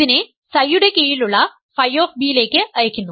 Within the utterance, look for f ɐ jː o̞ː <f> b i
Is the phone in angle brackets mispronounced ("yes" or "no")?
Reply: no